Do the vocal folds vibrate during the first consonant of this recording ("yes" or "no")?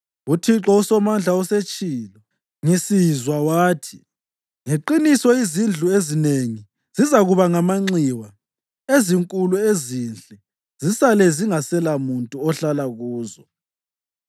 no